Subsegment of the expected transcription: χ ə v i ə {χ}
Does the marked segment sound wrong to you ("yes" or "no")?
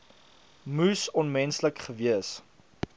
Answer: yes